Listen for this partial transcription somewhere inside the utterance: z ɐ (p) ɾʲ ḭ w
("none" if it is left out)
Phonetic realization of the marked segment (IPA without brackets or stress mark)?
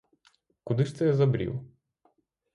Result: b